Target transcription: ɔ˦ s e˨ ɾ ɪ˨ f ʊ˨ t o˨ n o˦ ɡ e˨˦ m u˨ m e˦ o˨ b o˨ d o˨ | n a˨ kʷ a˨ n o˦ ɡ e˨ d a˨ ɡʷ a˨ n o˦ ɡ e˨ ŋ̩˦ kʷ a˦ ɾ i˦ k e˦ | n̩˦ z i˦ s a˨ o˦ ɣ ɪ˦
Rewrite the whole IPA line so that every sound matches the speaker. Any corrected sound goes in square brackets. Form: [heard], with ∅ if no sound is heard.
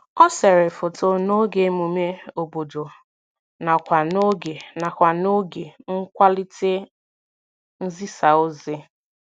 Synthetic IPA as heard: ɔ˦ s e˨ ɾ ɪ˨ f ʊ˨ t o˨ n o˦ ɡ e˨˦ m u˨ m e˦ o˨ b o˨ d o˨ | n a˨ kʷ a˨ n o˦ ɡ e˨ [n] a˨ [kʷ] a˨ n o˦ ɡ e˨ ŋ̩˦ kʷ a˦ [l] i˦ [t] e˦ | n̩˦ z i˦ s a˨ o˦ [z] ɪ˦